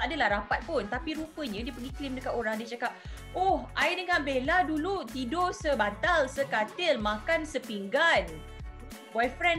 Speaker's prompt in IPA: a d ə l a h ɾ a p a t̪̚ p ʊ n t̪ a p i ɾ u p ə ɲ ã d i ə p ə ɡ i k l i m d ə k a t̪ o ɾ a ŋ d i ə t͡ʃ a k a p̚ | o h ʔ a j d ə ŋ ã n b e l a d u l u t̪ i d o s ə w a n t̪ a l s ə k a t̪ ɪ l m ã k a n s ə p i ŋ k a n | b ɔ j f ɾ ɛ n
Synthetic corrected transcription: a d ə l a h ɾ a p a t̪̚ p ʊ n t̪ a p i ɾ u p ə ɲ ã d i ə p ə ɡ i k l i m d ə k a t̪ o ɾ a ŋ d i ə t͡ʃ a k a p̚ | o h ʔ a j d ə ŋ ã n b e l a d u l u t̪ i d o s ə b a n t̪ a l s ə k a t̪ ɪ l m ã k a n s ə p i ŋ ɡ a n | b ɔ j f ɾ ɛ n